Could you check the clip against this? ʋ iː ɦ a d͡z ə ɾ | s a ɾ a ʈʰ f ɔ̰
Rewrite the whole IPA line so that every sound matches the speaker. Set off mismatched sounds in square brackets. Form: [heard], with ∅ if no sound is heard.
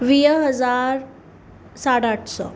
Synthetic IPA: ʋ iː ɦ [ə] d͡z [a] ɾ | s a [ɽ] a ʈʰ [s] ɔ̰